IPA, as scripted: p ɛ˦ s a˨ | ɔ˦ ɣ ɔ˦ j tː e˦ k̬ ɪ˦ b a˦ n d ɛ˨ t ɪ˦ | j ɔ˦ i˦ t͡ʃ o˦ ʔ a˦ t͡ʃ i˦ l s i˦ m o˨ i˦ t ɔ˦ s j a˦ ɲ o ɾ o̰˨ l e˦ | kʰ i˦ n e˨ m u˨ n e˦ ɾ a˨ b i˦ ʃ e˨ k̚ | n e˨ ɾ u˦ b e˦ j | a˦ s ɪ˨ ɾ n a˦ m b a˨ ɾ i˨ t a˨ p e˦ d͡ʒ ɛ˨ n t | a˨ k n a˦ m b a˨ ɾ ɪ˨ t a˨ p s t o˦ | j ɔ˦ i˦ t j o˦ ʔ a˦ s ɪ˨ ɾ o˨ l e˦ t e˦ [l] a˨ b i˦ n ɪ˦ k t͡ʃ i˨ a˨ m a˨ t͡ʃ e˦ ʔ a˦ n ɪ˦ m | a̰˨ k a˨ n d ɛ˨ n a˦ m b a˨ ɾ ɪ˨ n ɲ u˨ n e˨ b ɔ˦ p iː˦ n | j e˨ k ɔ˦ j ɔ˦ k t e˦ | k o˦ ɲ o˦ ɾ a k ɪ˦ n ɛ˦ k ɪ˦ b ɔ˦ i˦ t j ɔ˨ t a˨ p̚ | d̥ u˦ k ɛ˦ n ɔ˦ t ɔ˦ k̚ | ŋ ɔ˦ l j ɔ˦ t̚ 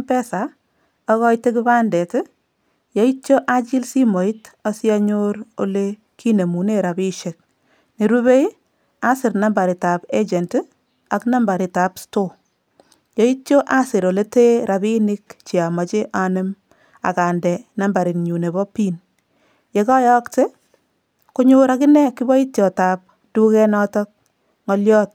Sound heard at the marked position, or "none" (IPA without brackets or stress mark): ɾ